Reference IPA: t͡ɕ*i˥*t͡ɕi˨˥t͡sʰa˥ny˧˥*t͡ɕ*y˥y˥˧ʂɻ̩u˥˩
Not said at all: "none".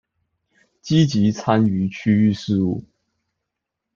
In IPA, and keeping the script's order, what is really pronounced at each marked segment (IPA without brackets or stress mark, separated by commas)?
i˥, t͡ɕʰ